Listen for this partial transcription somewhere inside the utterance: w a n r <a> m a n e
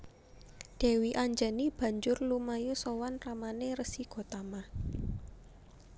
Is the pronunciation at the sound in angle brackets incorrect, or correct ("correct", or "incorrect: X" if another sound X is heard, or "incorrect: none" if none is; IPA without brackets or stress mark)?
correct